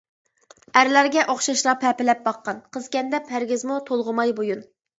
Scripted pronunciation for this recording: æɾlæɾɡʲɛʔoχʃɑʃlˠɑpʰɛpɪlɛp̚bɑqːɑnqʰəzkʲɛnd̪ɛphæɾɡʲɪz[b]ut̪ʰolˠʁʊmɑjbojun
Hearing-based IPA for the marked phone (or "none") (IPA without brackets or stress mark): m